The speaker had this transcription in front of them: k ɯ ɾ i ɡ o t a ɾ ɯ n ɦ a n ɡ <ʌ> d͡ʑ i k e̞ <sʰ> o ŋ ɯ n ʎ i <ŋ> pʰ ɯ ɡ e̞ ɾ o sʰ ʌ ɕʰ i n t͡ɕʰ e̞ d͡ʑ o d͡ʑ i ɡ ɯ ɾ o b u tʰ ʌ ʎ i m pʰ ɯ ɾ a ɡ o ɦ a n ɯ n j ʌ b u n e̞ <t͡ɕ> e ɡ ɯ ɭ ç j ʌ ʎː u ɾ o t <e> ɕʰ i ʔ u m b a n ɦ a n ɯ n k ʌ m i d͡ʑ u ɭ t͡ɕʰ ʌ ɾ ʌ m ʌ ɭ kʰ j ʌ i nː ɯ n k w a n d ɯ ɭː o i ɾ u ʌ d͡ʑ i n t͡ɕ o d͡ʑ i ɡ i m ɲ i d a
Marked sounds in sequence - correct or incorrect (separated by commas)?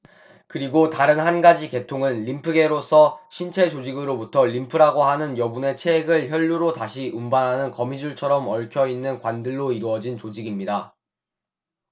incorrect, incorrect, incorrect, incorrect, incorrect